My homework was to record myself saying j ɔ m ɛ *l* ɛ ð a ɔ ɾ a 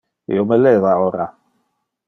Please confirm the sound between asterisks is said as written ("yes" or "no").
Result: yes